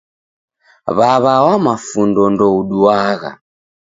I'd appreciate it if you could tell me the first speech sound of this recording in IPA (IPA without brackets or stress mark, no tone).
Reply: β